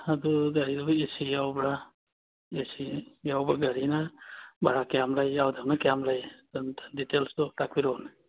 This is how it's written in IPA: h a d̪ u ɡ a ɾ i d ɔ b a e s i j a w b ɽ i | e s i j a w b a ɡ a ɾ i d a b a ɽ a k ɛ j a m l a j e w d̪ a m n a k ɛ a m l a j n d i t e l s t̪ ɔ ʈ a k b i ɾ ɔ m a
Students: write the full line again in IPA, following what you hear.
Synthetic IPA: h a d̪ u ɡ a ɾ i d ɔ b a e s i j a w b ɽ a | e s i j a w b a ɡ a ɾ i n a b a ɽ a k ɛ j a m l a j a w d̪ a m n a k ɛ a m l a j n d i t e l s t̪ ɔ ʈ a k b i ɾ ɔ n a